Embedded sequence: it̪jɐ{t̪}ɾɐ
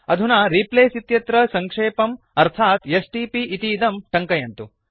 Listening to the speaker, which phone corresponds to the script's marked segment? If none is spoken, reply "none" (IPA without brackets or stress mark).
t̪